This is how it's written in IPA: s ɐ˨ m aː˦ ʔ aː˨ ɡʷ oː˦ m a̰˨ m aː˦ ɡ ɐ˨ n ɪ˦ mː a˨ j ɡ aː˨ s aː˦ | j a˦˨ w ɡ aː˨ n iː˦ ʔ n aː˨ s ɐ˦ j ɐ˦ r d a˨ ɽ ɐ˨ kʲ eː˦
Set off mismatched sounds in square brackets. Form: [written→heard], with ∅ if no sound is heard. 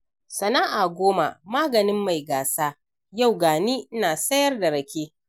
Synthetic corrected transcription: s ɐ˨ [m→n] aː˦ ʔ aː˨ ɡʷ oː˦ m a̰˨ m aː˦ ɡ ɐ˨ n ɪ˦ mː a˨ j ɡ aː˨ s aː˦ | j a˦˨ w ɡ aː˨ n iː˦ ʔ n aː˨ s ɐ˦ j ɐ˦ r d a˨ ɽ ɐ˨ kʲ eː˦